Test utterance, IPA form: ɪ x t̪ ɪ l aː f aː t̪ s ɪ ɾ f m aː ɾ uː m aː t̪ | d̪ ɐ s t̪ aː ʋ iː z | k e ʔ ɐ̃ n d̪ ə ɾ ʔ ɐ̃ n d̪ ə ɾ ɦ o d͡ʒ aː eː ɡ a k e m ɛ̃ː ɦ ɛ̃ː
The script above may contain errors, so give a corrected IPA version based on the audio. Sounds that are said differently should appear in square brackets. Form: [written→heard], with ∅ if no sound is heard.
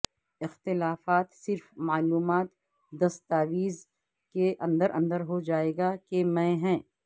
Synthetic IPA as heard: ɪ x t̪ ɪ l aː f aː t̪ s ɪ ɾ f m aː [ɾ→l] uː m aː t̪ | d̪ ɐ s t̪ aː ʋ iː z | k e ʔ ɐ̃ n d̪ ə ɾ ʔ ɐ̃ n d̪ ə ɾ ɦ o d͡ʒ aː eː ɡ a k e m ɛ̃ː ɦ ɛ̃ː